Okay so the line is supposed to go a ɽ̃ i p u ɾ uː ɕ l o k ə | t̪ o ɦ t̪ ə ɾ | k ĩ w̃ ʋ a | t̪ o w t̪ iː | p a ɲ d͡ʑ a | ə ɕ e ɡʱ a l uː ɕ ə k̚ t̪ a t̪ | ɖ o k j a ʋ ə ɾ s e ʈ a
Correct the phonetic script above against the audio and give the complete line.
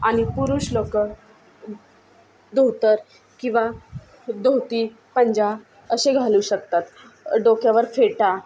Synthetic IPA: a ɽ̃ i p u ɾ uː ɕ l o k ə | d̪ o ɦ t̪ ə ɾ | k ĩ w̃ ʋ a | d̪ o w t̪ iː | p ə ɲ d͡ʑ a | ə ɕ e ɡʱ a l uː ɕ ə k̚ t̪ a t̪ | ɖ o k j a ʋ ə ɾ f e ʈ a